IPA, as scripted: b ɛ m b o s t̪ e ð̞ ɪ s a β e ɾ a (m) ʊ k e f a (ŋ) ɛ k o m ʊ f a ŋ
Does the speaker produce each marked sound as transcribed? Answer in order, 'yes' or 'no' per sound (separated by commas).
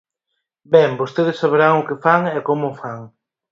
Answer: no, yes